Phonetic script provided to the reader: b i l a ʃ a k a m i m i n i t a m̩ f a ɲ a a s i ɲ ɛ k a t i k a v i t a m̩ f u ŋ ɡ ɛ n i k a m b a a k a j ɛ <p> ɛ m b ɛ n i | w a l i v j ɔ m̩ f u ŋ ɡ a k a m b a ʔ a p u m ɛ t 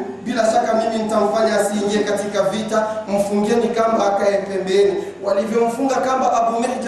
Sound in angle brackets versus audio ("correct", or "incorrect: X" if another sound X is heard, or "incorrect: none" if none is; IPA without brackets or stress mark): correct